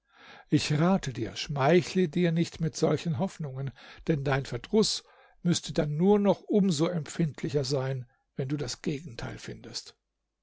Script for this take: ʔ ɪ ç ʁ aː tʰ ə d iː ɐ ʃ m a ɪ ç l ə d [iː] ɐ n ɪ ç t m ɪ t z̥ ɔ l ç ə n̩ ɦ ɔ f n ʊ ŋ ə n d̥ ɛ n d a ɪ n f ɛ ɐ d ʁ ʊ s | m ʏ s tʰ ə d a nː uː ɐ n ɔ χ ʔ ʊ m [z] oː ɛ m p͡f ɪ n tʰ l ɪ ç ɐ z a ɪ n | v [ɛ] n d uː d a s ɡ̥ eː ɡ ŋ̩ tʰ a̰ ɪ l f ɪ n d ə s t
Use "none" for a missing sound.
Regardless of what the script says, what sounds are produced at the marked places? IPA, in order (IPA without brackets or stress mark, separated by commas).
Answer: iː, z, ɛ